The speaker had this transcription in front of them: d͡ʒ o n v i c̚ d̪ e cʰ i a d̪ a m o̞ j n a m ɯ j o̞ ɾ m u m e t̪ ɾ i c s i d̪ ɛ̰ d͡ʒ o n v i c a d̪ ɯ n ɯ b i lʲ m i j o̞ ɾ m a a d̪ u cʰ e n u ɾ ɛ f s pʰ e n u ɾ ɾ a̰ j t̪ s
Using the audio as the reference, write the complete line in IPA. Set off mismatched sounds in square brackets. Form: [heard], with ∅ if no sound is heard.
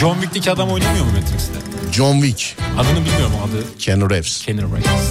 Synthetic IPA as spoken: d͡ʒ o n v i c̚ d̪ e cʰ i a d̪ a m o̞ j n a m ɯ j o̞ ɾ m u m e t̪ ɾ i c s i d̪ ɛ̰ d͡ʒ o n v i c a d̪ ɯ n ɯ b i lʲ m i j o̞ ɾ m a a d̪ [ɯ] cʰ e n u ɾ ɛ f s [cʰ] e n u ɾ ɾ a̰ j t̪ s